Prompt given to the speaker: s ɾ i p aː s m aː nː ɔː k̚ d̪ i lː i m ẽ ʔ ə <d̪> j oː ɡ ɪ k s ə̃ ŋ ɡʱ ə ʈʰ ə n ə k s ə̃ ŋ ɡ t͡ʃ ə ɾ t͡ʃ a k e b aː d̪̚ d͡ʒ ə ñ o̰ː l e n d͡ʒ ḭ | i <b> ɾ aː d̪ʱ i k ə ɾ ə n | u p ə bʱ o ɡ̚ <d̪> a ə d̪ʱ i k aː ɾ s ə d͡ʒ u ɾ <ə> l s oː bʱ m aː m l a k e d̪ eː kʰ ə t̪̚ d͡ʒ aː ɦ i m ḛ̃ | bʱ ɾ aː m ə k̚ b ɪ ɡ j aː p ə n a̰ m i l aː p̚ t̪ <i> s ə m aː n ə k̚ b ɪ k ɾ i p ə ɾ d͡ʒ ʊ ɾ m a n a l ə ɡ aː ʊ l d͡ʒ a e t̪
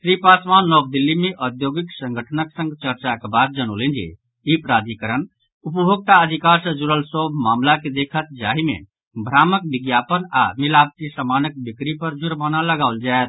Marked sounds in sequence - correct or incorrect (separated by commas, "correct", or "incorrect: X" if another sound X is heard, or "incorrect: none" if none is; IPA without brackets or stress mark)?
correct, incorrect: p, incorrect: t̪, correct, correct